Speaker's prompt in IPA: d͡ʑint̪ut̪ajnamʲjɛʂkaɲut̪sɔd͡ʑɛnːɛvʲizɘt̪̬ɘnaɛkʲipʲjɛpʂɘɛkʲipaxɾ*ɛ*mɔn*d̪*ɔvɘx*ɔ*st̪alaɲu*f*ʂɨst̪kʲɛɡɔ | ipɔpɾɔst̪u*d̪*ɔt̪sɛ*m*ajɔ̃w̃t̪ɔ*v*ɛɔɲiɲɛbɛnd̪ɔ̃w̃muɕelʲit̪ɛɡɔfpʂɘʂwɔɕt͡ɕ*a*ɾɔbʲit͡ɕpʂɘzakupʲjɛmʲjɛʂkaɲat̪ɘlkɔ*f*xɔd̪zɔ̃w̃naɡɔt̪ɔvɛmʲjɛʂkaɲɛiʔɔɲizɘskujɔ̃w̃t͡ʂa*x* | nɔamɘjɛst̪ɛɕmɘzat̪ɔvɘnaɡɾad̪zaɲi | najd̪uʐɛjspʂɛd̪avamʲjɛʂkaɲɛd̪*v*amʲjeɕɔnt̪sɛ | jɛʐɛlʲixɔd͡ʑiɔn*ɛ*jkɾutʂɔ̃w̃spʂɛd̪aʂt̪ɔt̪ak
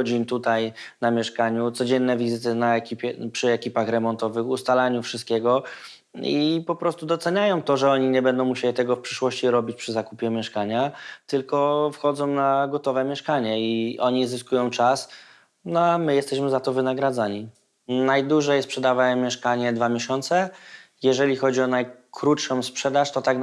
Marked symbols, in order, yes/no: yes, no, no, yes, yes, no, no, no, yes, no, yes, no

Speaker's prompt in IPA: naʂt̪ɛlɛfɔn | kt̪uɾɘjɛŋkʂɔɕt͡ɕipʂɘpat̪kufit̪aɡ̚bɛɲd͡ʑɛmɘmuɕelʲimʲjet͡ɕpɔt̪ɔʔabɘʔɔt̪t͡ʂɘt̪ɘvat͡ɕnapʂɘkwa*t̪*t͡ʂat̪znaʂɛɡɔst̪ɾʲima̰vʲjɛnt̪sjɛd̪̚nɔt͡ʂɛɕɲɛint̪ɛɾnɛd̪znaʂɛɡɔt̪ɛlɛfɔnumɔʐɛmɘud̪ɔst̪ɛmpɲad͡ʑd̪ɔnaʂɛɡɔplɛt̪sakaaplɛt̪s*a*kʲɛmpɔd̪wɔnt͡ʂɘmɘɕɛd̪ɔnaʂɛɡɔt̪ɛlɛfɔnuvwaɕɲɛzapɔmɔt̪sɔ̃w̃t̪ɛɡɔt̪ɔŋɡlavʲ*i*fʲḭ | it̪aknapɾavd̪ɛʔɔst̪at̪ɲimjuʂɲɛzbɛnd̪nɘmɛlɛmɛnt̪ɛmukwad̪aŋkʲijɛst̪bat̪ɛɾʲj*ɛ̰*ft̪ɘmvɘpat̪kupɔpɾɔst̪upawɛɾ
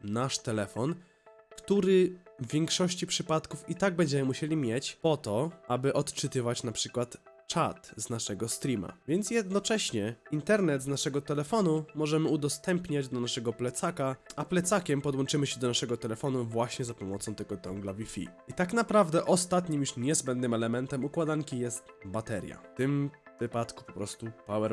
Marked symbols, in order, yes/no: yes, yes, yes, no

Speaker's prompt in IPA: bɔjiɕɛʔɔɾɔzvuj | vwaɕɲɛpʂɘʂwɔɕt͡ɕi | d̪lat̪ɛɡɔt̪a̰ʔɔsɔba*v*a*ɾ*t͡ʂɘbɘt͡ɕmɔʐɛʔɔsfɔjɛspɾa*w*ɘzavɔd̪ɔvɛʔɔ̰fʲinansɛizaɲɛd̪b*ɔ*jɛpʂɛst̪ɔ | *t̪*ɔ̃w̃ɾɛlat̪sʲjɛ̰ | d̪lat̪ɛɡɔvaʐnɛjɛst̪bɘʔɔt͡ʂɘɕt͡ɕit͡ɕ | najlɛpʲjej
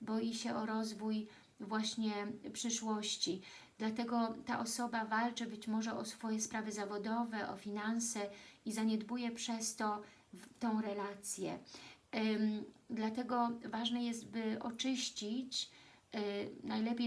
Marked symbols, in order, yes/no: yes, no, no, no, yes

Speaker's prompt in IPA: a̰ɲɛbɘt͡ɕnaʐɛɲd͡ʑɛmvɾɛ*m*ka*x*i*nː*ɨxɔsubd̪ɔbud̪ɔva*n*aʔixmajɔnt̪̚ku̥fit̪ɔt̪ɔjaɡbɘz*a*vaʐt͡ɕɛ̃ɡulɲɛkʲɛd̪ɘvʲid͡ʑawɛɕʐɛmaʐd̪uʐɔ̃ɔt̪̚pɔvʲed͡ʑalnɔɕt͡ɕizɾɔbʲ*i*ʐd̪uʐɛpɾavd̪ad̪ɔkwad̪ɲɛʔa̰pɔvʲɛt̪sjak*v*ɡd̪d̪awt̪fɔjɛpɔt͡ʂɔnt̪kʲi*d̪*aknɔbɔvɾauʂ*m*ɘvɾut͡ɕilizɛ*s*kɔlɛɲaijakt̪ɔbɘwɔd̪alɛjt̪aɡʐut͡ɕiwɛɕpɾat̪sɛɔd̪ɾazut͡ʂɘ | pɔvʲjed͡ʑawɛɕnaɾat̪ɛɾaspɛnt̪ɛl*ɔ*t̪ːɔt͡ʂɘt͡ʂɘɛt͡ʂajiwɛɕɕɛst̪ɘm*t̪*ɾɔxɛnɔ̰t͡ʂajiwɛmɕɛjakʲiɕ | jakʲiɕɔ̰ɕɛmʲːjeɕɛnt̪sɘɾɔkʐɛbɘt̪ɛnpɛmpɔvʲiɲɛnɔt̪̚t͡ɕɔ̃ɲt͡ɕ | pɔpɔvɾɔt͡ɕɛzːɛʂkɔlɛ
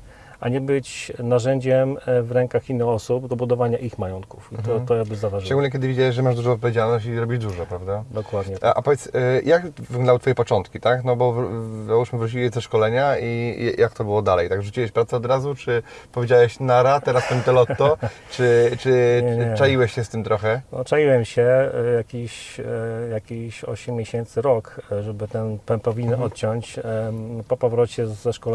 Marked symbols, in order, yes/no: no, yes, yes, no, yes, yes, yes, no, yes, no, yes, yes

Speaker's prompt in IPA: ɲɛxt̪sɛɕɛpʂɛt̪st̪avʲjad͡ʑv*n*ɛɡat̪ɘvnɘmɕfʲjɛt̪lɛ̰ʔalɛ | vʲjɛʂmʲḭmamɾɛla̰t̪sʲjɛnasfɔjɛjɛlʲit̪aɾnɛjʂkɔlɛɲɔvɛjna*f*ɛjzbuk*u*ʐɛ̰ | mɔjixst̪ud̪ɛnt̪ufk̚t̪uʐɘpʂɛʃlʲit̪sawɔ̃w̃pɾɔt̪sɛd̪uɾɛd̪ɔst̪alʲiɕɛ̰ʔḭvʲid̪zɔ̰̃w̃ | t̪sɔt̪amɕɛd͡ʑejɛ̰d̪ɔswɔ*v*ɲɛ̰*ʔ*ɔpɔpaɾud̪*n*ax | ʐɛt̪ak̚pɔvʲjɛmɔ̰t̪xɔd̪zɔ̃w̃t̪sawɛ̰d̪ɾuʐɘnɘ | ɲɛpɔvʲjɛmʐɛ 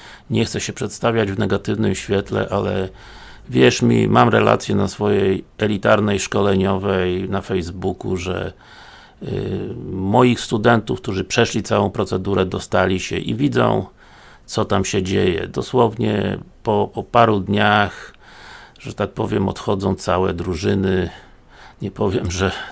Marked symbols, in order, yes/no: yes, yes, yes, yes, no, no

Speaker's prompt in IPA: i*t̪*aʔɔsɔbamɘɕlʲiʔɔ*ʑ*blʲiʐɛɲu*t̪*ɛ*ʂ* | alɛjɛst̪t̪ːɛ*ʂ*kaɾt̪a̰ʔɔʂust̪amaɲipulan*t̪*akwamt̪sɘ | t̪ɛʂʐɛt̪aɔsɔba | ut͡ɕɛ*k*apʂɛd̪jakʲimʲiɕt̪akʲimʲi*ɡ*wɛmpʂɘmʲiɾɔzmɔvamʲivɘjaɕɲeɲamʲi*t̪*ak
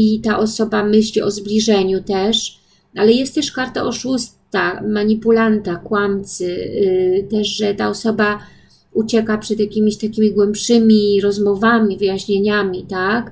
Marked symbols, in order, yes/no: yes, no, yes, yes, yes, yes, yes, yes, yes

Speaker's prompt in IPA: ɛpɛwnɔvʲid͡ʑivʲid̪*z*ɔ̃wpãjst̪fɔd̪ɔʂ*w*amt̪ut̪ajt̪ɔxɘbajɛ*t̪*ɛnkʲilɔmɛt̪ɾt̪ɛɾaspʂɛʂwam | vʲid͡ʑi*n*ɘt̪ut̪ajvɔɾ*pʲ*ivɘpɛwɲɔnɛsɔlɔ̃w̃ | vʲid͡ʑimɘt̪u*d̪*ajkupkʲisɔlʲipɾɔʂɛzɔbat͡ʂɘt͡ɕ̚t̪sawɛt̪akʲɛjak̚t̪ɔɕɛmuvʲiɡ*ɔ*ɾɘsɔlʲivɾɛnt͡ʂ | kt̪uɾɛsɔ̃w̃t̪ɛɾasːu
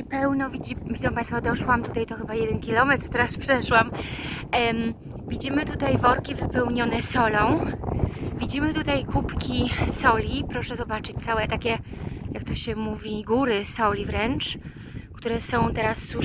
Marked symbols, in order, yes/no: yes, yes, no, no, no, no, no

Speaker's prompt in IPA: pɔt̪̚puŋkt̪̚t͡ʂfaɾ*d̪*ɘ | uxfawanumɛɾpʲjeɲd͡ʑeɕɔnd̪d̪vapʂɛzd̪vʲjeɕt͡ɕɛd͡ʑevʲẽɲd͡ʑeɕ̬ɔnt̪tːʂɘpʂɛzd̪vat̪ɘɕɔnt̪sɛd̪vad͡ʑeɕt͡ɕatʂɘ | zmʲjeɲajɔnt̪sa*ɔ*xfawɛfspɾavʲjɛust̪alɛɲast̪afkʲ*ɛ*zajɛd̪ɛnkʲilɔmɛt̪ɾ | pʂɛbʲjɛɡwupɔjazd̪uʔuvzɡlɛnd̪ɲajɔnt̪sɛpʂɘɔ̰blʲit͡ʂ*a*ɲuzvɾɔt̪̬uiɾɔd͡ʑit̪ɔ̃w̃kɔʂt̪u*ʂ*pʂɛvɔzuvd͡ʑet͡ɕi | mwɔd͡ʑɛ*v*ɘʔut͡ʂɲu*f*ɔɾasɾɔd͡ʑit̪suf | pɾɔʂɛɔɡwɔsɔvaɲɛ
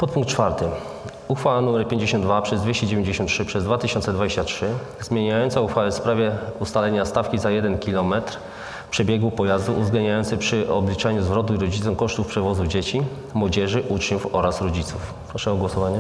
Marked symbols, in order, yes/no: no, no, no, yes, no, no, yes

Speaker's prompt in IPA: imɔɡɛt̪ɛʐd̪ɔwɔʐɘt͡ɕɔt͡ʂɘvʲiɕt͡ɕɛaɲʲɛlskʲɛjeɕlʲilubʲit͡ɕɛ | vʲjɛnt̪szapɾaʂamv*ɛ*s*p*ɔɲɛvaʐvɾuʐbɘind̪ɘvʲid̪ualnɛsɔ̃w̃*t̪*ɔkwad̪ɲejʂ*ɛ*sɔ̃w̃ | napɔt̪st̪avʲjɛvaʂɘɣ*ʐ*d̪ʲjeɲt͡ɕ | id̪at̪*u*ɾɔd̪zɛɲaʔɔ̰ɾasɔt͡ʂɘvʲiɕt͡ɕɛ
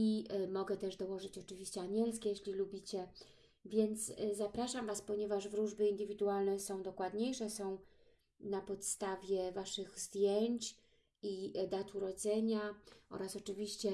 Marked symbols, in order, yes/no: no, yes, no, yes, no, yes

